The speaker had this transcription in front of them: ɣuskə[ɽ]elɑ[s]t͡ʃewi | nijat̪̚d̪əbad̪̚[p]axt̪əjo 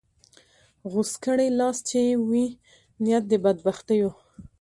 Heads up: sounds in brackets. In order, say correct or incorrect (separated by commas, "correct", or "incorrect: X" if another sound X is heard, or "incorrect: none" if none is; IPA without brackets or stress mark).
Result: correct, correct, incorrect: b